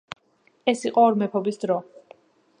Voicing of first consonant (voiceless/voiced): voiceless